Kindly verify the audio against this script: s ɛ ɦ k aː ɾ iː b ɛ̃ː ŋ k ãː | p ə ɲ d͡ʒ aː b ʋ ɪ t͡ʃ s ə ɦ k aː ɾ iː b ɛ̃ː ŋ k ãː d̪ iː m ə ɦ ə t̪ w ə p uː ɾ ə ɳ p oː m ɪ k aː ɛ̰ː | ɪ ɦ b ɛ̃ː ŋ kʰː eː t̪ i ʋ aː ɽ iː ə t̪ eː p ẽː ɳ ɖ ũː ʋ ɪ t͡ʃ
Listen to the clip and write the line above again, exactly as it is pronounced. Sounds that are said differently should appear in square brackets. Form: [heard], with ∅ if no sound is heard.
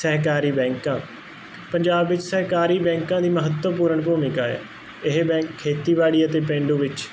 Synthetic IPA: s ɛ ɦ k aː ɾ iː b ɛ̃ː ŋ k ãː | p ə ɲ d͡ʒ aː b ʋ ɪ t͡ʃ s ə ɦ k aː ɾ iː b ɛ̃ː ŋ k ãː d̪ iː m ə ɦ ə t̪ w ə p uː ɾ ə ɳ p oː m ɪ k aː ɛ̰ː | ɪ ɦ b ɛ̃ː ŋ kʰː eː t̪ [iː] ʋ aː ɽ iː ə t̪ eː p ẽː ɳ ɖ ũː ʋ ɪ t͡ʃ

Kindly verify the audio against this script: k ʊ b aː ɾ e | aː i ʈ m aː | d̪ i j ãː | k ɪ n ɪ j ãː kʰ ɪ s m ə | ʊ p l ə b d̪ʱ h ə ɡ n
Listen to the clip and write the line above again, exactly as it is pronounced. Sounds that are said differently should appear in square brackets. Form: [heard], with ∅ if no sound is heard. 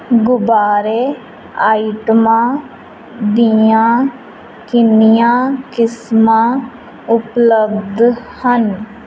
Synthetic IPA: [ɡ] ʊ b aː ɾ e | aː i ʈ m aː | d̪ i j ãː | k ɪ n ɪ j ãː [k] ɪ s m [a] | ʊ p l ə b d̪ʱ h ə [∅] n

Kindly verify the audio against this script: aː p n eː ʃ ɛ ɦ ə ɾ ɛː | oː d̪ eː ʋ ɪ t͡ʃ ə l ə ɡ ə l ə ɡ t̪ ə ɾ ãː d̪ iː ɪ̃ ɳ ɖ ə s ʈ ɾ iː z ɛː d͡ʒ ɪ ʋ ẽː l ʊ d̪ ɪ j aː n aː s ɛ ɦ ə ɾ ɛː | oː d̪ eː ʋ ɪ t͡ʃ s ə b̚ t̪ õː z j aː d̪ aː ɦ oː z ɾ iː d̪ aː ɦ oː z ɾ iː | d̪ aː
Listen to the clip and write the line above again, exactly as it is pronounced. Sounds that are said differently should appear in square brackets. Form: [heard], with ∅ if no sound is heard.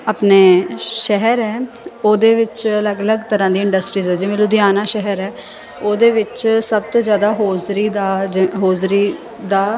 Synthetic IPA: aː p n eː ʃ ɛ ɦ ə ɾ ɛː | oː d̪ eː ʋ ɪ t͡ʃ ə l ə ɡ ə l ə ɡ t̪ ə ɾ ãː d̪ iː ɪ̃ ɳ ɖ ə s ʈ ɾ iː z ɛː d͡ʒ ɪ ʋ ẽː l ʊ d̪ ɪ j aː n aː [ʃ] ɛ ɦ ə ɾ ɛː | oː d̪ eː ʋ ɪ t͡ʃ s ə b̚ t̪ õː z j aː d̪ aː ɦ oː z ɾ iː d̪ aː ɦ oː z ɾ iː | d̪ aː

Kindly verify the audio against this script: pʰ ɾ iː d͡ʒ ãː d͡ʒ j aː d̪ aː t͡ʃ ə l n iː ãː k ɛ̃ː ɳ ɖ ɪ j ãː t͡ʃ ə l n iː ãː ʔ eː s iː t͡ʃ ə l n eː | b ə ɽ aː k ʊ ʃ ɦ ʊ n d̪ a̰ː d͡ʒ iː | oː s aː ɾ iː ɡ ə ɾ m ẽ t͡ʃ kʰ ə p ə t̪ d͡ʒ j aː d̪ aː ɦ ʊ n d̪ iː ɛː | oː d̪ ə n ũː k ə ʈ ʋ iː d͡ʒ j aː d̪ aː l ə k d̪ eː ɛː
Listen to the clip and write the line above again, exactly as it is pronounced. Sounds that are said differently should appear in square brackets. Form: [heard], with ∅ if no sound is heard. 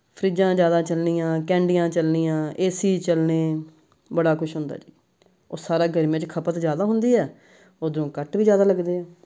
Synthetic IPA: pʰ ɾ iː d͡ʒ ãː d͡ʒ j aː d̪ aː t͡ʃ ə l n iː ãː k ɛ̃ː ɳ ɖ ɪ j ãː t͡ʃ ə l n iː ãː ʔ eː s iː t͡ʃ ə l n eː | b ə ɽ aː k ʊ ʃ ɦ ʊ n d̪ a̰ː d͡ʒ iː | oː s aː ɾ [aː] ɡ ə ɾ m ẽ t͡ʃ kʰ ə p ə t̪ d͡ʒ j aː d̪ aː ɦ ʊ n d̪ iː ɛː | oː d̪ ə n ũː k ə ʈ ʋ iː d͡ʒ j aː d̪ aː l ə [ɡ] d̪ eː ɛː

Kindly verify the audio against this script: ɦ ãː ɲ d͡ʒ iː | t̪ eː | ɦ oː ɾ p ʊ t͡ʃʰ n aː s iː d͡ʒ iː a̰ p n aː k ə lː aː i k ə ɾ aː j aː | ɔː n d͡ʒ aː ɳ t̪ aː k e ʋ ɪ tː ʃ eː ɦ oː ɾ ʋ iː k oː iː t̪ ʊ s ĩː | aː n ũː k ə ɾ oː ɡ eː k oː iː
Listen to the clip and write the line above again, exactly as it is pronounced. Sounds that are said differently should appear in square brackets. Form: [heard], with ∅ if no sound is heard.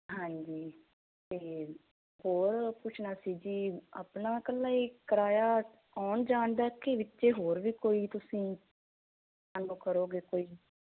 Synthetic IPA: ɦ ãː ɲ d͡ʒ iː | t̪ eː | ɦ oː ɾ p ʊ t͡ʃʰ n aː s iː d͡ʒ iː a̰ p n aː k ə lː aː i k ə ɾ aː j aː | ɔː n d͡ʒ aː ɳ [d̪] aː k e ʋ ɪ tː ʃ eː ɦ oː ɾ ʋ iː k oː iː t̪ ʊ s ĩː | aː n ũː k ə ɾ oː ɡ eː k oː iː

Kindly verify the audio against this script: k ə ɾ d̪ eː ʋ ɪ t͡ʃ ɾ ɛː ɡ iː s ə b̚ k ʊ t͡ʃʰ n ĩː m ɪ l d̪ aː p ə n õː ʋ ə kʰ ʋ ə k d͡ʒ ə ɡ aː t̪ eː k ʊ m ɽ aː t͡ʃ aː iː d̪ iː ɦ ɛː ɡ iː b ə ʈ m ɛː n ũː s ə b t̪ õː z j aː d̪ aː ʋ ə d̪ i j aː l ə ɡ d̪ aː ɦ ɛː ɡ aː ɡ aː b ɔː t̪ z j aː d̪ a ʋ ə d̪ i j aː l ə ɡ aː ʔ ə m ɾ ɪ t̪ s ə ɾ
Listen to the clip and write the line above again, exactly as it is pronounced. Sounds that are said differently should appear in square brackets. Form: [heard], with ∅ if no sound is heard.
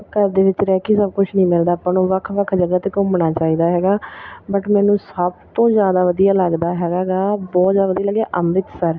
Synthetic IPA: k ə ɾ d̪ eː ʋ ɪ t͡ʃ ɾ ɛː [k] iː s ə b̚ k ʊ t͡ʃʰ n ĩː m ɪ l d̪ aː p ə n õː ʋ ə kʰ ʋ ə [kʰ] d͡ʒ ə ɡ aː t̪ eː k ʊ m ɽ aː t͡ʃ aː iː d̪ [aː] ɦ ɛː ɡ [aː] b ə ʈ m ɛː n ũː s ə b t̪ õː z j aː d̪ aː ʋ ə d̪ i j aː l ə ɡ d̪ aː ɦ ɛː ɡ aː ɡ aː b ɔː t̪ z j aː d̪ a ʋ ə d̪ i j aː l ə ɡ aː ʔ ə m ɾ ɪ t̪ s ə ɾ

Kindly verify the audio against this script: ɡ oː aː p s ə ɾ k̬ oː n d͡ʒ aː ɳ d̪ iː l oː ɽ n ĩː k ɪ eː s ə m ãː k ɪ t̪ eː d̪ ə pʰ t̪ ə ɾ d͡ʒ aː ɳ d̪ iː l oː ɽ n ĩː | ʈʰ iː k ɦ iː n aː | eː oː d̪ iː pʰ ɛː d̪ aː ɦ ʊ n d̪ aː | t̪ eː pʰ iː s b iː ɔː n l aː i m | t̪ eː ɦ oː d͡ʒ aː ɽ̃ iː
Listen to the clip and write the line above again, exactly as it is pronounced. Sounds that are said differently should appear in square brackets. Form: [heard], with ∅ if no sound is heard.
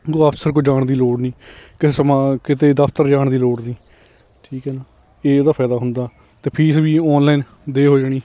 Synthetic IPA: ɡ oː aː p s ə ɾ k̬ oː [∅] d͡ʒ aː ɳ d̪ iː l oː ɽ n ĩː k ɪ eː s ə m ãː k ɪ t̪ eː d̪ ə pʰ t̪ ə ɾ d͡ʒ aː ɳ d̪ iː l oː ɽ n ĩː | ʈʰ iː k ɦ [ɛː] n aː | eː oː d̪ [aː] pʰ ɛː d̪ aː ɦ ʊ n d̪ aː | t̪ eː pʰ iː s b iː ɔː n l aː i [n] | [d̪] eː ɦ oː d͡ʒ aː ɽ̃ iː

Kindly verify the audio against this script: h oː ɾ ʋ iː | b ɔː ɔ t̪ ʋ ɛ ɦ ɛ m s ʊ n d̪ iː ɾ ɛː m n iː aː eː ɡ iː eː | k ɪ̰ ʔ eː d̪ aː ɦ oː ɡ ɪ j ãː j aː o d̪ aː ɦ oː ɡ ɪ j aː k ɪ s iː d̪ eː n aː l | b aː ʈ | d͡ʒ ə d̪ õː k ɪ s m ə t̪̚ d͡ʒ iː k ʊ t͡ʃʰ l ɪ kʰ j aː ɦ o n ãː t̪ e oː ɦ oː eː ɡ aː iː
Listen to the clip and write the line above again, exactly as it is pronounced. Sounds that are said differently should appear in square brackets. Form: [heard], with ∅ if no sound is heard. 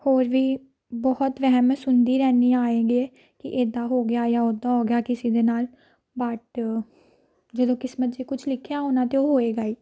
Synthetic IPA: h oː ɾ ʋ iː | b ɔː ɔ t̪ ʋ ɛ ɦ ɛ m s ʊ n d̪ iː ɾ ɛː [∅] n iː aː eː ɡ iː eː | k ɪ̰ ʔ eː d̪ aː ɦ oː ɡ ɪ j [aː] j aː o d̪ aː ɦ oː ɡ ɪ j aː k ɪ s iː d̪ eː n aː l | b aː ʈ | d͡ʒ ə d̪ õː k ɪ s m ə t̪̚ d͡ʒ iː k ʊ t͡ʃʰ l ɪ kʰ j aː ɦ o n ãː t̪ e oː ɦ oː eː ɡ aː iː

